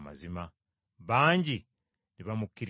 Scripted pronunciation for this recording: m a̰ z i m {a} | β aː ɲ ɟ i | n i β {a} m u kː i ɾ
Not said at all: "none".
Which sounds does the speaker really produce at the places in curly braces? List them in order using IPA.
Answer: a, a

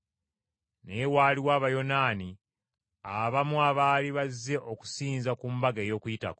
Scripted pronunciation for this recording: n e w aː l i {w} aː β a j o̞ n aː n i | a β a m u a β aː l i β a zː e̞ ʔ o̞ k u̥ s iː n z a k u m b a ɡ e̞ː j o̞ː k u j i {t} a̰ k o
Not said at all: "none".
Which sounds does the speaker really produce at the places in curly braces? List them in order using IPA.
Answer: w, t

